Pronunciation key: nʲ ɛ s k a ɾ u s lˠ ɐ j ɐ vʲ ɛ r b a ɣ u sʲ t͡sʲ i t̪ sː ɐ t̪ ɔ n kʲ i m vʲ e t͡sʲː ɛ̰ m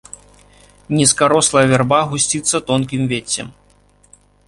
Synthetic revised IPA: nʲ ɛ s k a ɾ ɔ s lˠ ɐ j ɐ vʲ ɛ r b a ɣ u sʲ t͡sʲ i t̪ sː ɐ t̪ ɔ n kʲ i m vʲ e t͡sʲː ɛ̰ m